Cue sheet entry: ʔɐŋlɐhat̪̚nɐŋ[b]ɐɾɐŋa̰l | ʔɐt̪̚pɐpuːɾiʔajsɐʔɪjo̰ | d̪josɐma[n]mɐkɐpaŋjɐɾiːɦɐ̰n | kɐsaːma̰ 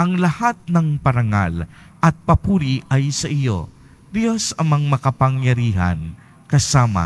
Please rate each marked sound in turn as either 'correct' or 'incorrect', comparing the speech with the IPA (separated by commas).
incorrect, incorrect